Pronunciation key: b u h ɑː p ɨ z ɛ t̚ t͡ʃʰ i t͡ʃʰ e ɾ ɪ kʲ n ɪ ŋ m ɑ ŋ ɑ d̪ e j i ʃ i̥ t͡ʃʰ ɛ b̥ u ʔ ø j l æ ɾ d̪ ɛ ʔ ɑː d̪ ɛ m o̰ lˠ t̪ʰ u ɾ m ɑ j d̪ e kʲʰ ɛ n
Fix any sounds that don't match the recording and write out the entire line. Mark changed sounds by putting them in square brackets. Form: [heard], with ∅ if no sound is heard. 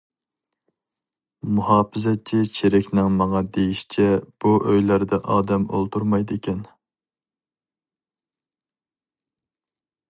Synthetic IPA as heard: [m] u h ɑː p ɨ z ɛ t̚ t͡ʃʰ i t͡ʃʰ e ɾ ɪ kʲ n ɪ ŋ m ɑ ŋ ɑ d̪ e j i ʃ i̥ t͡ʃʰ ɛ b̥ u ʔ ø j l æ ɾ d̪ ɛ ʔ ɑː d̪ ɛ m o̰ lˠ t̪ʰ u ɾ m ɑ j d̪ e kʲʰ ɛ n